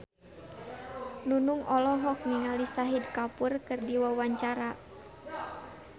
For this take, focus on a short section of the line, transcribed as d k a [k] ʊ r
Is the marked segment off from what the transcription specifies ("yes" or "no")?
yes